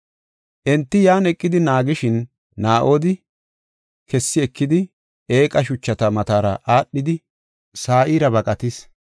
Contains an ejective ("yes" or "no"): yes